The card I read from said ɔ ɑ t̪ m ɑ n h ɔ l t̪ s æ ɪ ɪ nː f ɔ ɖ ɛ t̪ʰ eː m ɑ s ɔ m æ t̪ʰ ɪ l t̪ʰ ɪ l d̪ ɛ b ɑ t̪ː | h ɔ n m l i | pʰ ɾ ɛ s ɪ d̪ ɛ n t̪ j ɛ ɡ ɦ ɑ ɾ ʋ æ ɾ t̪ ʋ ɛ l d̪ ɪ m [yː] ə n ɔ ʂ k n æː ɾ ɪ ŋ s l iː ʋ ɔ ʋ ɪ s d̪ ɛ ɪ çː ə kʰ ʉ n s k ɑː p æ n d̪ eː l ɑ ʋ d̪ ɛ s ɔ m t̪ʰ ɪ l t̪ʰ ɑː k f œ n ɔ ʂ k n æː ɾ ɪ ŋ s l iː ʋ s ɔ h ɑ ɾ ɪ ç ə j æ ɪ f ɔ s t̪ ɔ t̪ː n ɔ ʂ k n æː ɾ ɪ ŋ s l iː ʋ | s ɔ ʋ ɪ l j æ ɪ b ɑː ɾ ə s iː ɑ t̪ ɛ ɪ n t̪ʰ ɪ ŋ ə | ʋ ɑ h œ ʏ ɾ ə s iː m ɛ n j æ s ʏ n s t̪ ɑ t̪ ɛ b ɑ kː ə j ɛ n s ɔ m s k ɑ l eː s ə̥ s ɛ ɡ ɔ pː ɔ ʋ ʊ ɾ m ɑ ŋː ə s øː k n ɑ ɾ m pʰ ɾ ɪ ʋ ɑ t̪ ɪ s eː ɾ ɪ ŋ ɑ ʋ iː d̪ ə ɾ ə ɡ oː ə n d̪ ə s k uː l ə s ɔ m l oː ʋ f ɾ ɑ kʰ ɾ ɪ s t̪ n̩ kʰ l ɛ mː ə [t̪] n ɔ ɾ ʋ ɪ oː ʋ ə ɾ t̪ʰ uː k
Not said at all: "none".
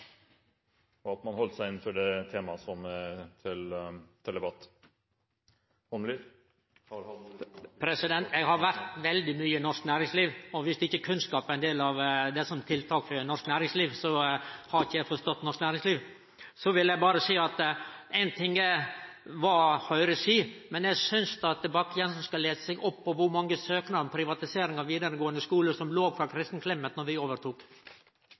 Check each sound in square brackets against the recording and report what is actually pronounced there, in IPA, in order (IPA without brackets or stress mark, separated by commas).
yː, t̪